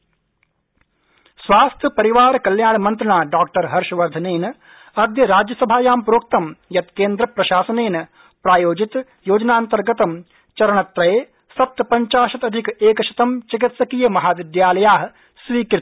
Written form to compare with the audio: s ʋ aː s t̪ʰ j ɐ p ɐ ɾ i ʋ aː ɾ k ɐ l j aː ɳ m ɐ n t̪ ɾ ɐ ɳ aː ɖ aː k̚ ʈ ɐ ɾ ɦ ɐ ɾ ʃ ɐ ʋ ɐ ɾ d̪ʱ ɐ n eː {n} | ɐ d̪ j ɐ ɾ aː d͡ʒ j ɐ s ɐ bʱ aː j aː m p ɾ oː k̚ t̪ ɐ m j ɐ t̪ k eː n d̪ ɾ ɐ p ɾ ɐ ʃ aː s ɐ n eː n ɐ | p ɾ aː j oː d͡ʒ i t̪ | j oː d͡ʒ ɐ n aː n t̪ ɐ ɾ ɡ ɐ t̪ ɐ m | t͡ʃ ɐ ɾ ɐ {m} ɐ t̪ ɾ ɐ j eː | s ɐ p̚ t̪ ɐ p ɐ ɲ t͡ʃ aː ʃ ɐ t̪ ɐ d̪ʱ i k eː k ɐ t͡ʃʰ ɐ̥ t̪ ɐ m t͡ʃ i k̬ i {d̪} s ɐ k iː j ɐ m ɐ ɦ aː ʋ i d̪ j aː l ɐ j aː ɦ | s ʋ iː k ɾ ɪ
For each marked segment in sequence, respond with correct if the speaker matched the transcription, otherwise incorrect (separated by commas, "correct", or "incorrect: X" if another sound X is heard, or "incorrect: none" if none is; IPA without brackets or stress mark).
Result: correct, incorrect: ɳ, incorrect: t̪